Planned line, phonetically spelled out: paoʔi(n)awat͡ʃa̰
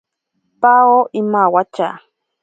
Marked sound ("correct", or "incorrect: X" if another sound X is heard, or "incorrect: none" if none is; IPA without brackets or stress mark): incorrect: m